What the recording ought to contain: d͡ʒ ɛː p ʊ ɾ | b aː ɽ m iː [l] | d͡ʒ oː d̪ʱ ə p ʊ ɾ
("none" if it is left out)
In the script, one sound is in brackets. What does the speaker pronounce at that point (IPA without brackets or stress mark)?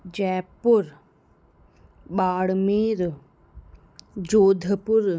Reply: ɾ